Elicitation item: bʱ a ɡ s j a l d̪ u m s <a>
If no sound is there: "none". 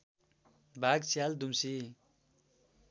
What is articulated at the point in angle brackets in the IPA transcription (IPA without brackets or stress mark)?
i